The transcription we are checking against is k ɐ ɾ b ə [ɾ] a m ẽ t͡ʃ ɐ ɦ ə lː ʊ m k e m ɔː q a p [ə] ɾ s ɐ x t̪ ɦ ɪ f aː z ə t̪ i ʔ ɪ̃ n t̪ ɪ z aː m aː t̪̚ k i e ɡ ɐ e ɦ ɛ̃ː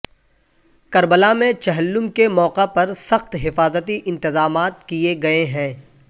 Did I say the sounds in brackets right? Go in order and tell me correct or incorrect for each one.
incorrect, incorrect

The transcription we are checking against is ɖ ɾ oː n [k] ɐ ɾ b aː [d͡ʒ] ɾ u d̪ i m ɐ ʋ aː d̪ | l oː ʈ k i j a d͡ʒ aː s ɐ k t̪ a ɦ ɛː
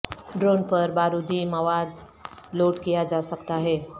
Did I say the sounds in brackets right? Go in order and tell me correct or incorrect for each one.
incorrect, incorrect

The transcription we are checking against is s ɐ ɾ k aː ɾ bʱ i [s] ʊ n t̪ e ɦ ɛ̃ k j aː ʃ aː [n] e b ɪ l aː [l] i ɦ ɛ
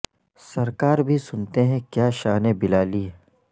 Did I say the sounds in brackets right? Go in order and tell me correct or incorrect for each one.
correct, correct, correct

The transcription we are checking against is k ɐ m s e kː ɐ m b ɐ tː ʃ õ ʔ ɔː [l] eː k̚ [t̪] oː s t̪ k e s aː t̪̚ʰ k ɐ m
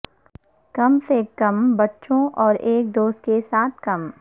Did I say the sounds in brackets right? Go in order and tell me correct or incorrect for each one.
incorrect, incorrect

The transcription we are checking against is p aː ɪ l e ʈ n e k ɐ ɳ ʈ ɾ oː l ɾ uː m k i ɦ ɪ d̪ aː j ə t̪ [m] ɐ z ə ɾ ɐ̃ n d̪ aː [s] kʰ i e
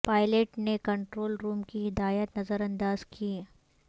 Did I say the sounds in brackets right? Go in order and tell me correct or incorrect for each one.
incorrect, incorrect

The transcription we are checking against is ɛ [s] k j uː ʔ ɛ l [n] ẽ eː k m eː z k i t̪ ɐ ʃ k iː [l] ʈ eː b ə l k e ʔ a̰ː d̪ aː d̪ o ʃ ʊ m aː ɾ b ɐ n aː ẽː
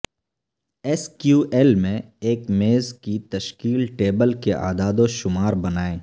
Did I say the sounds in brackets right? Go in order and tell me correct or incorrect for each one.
correct, incorrect, correct

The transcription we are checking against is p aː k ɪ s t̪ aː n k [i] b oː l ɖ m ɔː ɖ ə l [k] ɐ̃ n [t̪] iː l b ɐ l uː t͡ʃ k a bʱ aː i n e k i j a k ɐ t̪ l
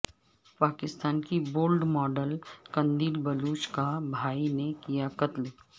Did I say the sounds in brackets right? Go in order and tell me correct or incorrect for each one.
correct, correct, incorrect

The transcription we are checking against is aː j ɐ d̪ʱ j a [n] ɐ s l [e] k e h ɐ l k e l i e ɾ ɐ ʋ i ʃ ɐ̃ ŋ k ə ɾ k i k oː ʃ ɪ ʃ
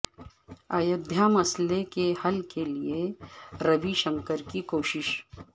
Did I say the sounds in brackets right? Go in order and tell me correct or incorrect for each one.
incorrect, correct

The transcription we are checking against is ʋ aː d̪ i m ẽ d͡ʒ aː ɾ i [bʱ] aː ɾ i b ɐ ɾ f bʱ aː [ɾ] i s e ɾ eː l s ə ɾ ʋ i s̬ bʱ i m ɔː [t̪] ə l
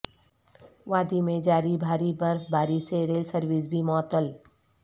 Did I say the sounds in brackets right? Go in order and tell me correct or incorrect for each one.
correct, correct, correct

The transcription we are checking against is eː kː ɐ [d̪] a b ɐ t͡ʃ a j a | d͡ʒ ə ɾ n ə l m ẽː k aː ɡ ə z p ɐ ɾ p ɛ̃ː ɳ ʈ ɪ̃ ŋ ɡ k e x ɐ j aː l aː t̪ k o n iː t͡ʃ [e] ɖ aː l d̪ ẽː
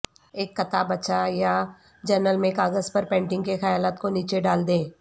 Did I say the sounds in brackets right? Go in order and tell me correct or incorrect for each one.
incorrect, correct

